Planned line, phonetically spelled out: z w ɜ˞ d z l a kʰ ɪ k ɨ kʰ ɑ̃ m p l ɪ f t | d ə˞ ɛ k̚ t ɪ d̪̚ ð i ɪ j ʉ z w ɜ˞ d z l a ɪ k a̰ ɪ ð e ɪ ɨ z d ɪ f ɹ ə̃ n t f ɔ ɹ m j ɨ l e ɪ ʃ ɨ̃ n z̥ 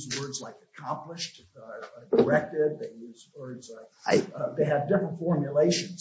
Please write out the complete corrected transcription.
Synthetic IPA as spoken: z w ɜ˞ d z l a ɪ k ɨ kʰ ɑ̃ m p l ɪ ʃ t | d ə˞ ɛ k̚ t ɪ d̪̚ ð e ɪ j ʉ z w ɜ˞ d z l a ɪ k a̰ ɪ ð e ɪ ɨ v d ɪ f ɹ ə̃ n t f ɔ ɹ m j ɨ l e ɪ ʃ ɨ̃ n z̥